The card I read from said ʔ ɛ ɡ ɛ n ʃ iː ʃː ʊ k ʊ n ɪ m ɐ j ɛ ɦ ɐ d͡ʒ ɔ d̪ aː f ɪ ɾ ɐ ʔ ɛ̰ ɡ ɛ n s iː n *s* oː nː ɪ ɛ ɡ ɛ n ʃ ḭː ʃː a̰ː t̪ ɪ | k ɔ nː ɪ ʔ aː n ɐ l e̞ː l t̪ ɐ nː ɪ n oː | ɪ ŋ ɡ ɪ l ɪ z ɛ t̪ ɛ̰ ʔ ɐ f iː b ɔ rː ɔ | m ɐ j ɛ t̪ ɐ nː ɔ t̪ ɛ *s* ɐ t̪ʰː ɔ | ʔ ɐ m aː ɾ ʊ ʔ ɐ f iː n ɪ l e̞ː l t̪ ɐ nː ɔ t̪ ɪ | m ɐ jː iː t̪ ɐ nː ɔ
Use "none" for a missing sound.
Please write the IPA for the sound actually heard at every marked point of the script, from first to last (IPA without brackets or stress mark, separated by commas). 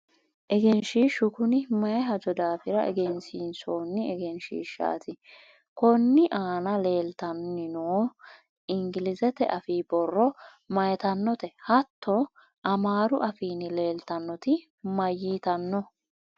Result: s, h